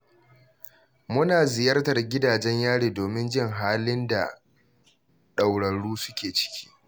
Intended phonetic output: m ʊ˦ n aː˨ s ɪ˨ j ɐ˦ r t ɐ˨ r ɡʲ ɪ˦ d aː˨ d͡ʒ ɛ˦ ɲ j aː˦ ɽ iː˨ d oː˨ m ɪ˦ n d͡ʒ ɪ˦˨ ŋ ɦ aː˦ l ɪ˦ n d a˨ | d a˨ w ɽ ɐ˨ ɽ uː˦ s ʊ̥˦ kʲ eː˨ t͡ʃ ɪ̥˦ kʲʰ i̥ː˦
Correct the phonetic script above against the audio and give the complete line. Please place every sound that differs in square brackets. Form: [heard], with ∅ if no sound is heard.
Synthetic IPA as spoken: m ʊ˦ n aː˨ [z] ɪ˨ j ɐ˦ r t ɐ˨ r ɡʲ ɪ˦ d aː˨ d͡ʒ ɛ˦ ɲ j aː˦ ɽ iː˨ d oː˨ m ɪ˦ n d͡ʒ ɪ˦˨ ŋ ɦ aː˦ l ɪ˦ n d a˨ | [ɗ] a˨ w ɽ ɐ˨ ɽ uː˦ s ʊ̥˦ kʲ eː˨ t͡ʃ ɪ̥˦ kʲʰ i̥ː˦